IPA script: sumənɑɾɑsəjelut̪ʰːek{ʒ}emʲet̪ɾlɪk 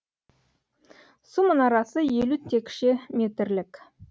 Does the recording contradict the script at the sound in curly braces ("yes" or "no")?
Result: yes